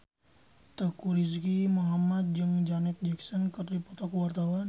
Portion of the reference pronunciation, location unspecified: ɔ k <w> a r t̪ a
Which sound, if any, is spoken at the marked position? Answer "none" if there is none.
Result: w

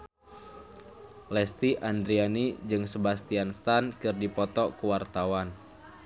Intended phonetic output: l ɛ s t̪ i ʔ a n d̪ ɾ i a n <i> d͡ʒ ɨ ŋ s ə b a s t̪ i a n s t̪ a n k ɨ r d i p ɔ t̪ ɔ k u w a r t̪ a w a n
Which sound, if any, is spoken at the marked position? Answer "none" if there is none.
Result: i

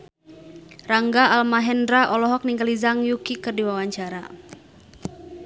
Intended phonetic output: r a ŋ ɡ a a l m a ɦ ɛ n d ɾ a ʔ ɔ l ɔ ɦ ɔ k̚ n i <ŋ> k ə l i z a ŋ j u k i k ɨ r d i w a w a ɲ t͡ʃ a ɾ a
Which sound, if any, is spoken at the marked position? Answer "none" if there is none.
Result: ŋ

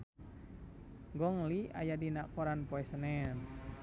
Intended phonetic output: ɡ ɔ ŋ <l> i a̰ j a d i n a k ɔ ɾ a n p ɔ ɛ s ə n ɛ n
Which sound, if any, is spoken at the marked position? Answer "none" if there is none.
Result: l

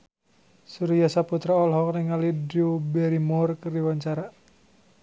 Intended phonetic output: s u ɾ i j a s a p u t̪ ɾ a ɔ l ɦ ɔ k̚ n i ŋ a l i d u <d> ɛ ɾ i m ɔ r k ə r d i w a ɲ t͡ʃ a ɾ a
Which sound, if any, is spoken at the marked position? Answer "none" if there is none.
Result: b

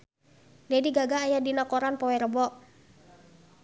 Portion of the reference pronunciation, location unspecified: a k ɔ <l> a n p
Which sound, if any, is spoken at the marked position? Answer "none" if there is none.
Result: ɾ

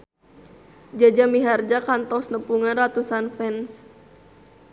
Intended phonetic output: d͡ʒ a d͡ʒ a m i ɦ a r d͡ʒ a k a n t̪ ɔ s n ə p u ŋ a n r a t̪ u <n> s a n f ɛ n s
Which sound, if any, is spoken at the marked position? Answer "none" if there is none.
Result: none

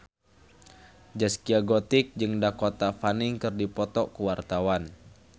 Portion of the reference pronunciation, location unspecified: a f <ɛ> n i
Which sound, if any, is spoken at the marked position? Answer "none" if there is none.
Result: a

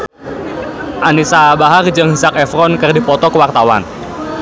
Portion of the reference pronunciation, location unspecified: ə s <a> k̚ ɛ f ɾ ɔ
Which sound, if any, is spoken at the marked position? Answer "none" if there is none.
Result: a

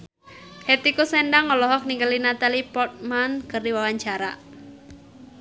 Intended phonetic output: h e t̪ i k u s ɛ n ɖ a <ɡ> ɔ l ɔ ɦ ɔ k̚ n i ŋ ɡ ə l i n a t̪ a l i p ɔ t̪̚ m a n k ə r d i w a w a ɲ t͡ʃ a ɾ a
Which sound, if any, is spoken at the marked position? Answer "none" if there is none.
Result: ŋ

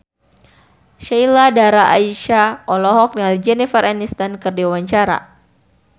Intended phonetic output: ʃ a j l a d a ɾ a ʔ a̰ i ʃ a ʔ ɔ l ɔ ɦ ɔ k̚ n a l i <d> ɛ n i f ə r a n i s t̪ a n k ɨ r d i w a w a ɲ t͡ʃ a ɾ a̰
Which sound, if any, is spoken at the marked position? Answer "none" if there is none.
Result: d͡ʒ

